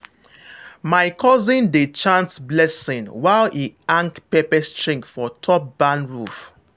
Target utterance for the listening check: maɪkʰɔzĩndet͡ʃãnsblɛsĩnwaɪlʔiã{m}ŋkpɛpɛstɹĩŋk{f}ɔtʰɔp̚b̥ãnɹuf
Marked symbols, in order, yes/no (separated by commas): no, yes